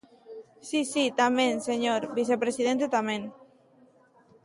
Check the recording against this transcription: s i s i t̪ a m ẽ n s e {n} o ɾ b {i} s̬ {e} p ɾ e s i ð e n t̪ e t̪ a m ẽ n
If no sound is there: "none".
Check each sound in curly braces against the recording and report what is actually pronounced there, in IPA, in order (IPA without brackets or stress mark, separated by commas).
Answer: ɲ, i, e